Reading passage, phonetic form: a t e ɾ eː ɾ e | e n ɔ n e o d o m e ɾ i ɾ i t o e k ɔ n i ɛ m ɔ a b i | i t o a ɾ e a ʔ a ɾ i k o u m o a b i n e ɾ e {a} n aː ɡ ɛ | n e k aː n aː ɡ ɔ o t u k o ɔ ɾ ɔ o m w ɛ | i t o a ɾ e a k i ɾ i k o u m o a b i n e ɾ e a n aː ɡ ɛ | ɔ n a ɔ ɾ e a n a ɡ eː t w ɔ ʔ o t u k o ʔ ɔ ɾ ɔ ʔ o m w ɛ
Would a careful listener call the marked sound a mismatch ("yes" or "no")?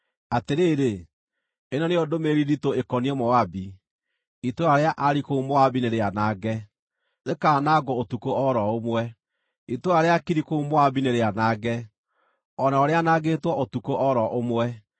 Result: no